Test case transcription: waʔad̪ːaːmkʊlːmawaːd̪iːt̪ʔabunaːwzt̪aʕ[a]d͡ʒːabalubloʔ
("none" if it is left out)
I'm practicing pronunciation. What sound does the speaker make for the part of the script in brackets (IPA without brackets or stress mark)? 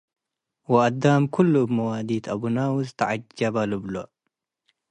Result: a